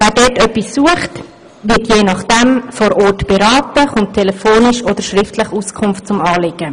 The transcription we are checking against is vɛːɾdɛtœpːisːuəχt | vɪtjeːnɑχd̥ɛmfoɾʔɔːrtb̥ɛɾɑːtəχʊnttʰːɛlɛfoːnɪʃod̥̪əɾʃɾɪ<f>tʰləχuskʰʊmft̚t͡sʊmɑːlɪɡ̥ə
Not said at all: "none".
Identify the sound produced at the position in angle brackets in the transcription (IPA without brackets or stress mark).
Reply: f